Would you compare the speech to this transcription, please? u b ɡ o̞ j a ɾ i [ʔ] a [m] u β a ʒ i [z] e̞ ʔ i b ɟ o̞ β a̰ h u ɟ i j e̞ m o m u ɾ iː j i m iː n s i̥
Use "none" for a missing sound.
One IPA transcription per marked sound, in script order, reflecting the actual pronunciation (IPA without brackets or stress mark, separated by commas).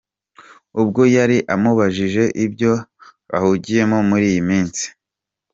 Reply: ʔ, m, ʒ